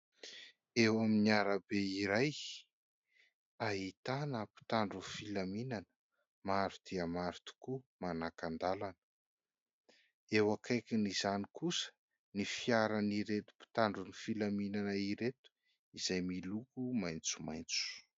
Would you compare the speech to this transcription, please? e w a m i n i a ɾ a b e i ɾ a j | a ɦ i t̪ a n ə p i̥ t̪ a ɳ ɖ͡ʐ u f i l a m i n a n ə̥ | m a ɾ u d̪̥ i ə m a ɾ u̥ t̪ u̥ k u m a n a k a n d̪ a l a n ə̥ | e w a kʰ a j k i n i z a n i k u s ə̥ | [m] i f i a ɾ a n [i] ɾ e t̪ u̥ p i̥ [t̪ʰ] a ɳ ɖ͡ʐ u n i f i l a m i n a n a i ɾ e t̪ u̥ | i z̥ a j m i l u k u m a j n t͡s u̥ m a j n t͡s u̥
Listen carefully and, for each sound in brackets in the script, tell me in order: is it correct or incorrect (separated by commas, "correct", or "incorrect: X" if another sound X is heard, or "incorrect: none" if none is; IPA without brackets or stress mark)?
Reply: incorrect: n, correct, incorrect: t̪